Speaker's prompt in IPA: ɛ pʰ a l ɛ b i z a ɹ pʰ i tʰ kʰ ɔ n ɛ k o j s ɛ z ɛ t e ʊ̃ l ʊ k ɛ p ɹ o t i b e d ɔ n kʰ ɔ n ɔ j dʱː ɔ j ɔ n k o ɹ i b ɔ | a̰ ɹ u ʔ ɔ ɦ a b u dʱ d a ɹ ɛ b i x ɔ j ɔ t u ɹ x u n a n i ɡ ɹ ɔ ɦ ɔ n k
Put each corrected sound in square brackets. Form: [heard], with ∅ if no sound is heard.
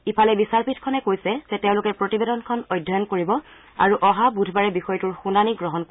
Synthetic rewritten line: [i] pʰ a l ɛ b i [s] a ɹ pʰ i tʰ kʰ ɔ n ɛ k o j s ɛ z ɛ t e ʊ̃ l ʊ k ɛ p ɹ o t i b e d ɔ n kʰ ɔ n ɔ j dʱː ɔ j ɔ n k o ɹ i b ɔ | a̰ ɹ u ʔ ɔ ɦ a b u dʱ [b] a ɹ ɛ b i x ɔ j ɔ t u ɹ x u n a n i ɡ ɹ ɔ ɦ ɔ n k